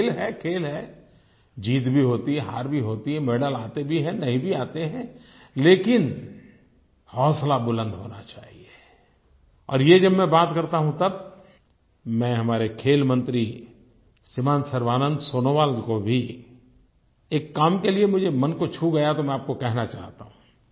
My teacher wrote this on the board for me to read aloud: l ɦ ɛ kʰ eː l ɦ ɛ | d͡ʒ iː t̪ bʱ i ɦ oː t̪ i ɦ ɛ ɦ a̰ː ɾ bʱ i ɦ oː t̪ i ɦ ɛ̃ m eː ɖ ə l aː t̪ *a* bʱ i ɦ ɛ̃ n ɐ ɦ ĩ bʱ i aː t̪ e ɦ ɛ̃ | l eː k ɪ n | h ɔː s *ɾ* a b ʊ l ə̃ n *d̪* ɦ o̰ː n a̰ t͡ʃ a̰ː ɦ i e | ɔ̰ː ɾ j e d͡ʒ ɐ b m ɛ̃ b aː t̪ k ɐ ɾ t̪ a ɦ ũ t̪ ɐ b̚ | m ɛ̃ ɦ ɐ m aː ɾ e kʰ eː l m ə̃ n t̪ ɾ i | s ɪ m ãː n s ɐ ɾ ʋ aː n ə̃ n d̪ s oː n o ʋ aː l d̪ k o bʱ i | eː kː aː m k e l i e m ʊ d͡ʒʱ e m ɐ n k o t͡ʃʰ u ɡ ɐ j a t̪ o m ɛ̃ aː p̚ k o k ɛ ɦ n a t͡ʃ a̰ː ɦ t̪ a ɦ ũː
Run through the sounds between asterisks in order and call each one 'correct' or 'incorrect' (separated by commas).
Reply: incorrect, incorrect, correct